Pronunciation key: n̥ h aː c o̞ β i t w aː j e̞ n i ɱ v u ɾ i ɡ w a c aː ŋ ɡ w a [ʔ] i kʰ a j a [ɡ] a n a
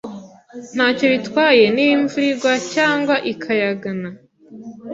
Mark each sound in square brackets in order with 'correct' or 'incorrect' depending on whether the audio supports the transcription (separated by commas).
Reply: correct, correct